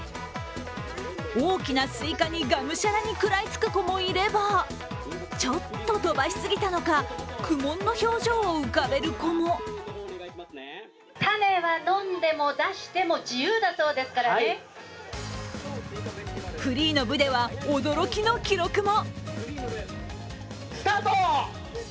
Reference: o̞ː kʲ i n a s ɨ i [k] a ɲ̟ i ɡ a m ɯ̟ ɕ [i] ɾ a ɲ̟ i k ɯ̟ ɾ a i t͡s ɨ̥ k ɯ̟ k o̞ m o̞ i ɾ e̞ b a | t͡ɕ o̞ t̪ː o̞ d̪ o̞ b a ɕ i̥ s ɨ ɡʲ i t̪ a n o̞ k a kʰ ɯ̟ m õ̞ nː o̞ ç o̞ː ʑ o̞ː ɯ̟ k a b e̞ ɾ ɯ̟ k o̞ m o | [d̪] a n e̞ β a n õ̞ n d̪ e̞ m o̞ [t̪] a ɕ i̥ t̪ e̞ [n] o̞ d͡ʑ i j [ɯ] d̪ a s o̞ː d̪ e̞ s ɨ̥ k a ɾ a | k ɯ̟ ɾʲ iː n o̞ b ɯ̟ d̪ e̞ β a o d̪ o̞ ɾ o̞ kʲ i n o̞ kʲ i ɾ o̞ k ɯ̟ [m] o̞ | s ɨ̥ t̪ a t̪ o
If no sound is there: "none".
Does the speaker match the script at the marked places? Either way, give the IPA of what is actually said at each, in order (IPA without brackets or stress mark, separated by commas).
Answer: k, a, t̪, d̪, m, ɯː, m